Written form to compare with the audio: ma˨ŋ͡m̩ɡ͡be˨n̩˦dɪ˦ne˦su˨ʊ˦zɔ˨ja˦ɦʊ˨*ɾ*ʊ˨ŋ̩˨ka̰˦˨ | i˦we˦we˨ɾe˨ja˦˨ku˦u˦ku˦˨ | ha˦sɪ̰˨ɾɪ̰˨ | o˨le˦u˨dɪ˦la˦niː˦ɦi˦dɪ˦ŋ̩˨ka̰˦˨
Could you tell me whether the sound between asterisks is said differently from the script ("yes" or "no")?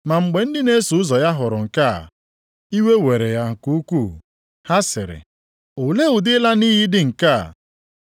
no